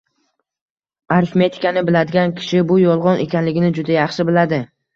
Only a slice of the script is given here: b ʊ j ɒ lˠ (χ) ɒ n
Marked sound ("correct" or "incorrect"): incorrect